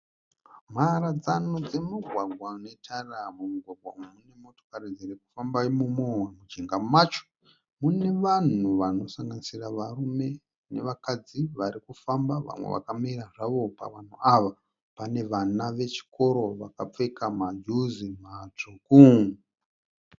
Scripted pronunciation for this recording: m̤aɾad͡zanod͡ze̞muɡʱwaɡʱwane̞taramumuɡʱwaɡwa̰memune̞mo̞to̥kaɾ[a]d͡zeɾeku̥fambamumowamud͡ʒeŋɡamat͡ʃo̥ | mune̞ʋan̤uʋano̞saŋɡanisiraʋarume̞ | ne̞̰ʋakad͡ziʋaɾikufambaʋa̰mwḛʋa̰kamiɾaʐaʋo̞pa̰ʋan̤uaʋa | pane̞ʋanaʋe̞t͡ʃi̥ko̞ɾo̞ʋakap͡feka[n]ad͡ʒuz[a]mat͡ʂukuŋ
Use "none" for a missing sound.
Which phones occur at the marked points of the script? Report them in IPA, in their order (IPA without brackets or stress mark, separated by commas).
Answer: i, m, i